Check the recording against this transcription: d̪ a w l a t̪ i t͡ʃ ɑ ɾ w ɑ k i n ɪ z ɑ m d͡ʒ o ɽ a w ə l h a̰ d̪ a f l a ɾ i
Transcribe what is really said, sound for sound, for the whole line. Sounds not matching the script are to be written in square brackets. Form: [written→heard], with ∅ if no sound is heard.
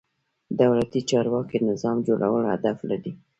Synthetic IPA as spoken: d̪ a w l a t̪ i t͡ʃ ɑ ɾ w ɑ k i n ɪ z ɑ m d͡ʒ o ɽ a w ə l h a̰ d̪ a f l a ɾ i